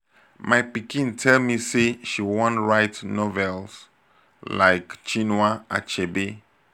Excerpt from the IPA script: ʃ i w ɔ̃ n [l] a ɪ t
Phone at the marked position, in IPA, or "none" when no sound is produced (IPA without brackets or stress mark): ɹ